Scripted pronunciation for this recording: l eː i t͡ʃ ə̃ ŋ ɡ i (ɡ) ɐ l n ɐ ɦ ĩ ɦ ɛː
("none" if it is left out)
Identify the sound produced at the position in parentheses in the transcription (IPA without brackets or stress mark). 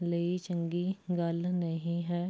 ɡ